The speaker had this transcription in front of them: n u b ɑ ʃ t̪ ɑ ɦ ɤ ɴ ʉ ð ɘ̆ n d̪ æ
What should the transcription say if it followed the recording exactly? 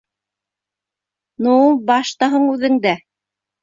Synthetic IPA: n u b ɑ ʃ t̪ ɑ ɦ ɤ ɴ ʉ ð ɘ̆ ŋ d̪ æ